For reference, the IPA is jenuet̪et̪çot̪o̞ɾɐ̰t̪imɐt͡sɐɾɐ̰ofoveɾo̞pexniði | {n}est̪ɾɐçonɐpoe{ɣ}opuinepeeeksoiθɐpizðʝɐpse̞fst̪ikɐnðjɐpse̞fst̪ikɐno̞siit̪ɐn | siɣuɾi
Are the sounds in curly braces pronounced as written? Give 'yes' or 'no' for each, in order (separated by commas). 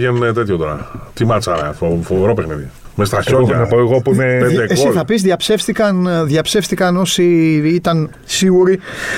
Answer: no, yes